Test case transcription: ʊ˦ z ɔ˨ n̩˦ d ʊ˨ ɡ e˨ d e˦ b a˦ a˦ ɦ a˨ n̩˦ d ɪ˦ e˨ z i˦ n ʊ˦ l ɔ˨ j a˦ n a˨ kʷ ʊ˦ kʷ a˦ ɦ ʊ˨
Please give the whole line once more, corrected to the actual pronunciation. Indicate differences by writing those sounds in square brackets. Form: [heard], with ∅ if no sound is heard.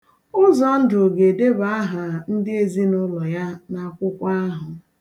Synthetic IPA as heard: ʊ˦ z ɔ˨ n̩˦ d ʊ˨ ɡ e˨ d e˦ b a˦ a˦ ɦ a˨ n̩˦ d ɪ˦ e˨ z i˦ n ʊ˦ l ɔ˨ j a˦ n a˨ kʷ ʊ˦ kʷ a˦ ɦ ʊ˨